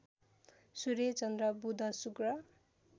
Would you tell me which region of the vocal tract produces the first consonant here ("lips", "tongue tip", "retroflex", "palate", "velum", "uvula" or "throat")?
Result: tongue tip